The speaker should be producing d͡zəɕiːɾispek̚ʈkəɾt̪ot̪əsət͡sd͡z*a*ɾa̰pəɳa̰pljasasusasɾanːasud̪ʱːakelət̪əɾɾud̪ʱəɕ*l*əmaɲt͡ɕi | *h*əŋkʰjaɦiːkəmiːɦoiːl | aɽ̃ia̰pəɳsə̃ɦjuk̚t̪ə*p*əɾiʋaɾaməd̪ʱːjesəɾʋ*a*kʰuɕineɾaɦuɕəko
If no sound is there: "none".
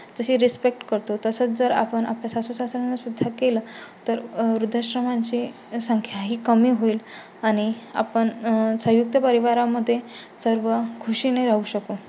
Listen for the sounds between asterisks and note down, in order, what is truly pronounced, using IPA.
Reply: ə, ɾ, s, p, ə

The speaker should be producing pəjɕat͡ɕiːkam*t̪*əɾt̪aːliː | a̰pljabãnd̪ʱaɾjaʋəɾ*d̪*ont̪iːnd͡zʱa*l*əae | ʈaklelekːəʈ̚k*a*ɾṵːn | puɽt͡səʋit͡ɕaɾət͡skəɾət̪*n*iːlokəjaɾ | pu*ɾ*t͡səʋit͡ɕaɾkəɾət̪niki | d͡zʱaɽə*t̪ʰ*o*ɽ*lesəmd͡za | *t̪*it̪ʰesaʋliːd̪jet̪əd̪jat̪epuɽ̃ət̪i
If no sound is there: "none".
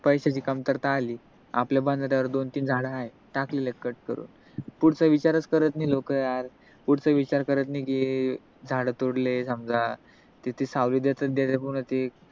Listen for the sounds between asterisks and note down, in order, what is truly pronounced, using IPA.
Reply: t̪, d̪, ɽ, ə, n, ɽ, t̪, ɽ, t̪

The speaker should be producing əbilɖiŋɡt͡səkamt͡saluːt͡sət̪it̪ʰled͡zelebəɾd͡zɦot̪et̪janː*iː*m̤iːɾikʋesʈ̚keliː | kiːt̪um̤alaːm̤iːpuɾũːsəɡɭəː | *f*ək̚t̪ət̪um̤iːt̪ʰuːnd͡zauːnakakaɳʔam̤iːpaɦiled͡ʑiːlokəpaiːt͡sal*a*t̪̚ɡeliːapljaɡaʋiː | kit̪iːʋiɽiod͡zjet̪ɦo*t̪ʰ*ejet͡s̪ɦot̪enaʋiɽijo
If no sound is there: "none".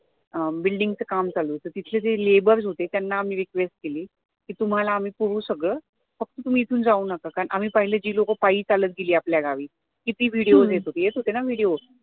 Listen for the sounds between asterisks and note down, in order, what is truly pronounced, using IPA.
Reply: aː, f, ə, t̪

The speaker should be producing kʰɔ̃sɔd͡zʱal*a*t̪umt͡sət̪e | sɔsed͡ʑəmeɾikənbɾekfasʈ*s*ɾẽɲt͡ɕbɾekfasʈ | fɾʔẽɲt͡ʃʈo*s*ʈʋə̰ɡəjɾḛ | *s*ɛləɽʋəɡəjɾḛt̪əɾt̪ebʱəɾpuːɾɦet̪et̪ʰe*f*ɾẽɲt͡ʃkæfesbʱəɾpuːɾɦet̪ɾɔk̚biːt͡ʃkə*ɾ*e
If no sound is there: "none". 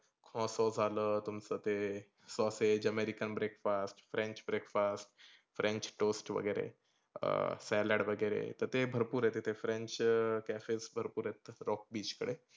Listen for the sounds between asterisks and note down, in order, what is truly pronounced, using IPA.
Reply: ə, f, s, s, f, ɽ

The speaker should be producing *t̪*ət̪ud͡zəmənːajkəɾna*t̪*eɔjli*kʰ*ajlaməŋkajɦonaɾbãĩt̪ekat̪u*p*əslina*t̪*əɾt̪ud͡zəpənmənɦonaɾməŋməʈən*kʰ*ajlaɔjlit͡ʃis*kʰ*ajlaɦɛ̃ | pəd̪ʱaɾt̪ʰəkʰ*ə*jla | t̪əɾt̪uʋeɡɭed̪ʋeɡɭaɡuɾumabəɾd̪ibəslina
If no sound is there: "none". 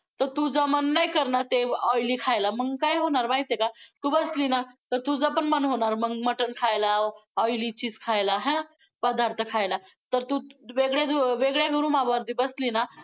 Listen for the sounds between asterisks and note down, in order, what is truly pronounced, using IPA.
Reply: t̪, t̪, kʰ, b, t̪, kʰ, kʰ, a

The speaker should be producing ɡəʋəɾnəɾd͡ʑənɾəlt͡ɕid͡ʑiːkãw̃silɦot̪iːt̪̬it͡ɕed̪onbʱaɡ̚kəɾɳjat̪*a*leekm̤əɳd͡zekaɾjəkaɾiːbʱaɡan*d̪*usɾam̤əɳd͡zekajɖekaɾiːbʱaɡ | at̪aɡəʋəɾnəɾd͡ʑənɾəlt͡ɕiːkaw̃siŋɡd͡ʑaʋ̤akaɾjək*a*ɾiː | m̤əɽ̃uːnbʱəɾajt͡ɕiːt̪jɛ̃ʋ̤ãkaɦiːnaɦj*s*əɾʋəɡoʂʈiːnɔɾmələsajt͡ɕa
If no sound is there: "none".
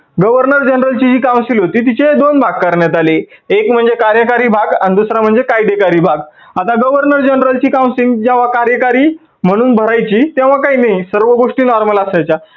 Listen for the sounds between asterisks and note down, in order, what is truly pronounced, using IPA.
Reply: a, d̪, a, s

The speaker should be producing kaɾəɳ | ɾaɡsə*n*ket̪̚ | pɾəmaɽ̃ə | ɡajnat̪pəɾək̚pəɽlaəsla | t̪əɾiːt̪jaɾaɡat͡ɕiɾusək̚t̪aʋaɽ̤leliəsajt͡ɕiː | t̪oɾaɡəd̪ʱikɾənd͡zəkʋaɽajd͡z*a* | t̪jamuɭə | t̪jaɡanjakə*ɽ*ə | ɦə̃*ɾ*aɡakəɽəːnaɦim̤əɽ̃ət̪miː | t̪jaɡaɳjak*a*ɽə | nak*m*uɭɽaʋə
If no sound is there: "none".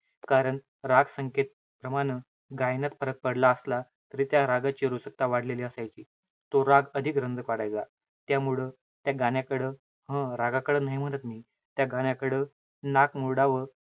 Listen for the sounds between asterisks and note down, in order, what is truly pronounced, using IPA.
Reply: ŋ, a, ɽ, ɾ, ə, m

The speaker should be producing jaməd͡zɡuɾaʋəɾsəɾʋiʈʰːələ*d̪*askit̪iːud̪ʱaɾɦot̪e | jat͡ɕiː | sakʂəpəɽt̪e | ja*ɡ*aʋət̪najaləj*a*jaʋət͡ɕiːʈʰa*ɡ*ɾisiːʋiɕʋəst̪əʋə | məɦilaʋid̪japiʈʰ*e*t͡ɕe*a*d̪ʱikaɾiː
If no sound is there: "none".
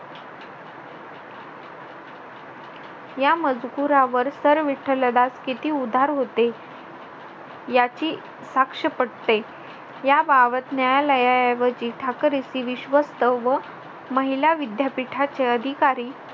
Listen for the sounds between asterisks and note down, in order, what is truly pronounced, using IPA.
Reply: d̪, b, a, k, a, ə

